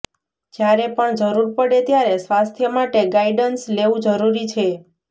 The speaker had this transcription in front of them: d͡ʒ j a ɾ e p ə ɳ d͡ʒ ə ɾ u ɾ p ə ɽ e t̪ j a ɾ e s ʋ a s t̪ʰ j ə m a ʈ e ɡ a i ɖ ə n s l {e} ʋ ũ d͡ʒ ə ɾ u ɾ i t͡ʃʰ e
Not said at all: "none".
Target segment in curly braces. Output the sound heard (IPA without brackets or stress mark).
e